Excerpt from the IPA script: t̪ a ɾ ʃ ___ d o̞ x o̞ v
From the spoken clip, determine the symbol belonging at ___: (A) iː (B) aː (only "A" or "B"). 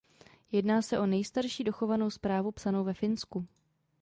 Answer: A